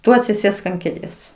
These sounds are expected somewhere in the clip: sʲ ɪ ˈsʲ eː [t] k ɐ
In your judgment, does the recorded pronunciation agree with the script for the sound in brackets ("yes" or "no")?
no